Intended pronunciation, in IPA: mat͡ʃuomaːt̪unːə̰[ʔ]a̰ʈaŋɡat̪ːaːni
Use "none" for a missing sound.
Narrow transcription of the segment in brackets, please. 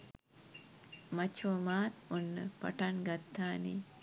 p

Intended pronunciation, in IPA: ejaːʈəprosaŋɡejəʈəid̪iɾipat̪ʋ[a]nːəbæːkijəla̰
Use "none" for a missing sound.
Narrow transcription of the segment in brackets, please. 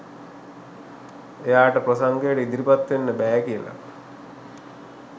e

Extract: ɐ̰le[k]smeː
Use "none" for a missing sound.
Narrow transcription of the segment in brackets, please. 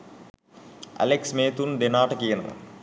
k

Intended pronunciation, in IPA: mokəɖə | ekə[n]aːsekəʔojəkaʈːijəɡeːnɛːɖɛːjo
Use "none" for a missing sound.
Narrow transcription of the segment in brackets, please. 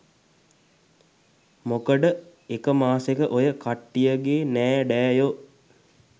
m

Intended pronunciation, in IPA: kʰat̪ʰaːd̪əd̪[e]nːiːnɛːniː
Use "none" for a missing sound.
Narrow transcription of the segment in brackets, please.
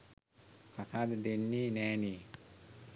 e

